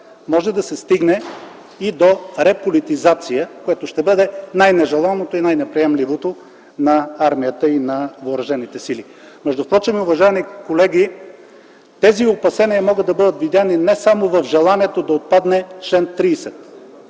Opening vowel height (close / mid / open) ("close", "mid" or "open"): mid